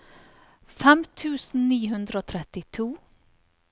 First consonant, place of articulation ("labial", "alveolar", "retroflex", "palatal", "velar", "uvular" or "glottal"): labial